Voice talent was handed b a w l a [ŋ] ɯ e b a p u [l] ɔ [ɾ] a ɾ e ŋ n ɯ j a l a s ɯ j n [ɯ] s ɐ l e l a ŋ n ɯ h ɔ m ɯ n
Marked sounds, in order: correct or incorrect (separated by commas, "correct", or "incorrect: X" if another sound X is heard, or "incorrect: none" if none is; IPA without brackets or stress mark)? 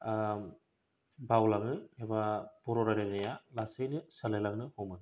correct, incorrect: ɾ, correct, correct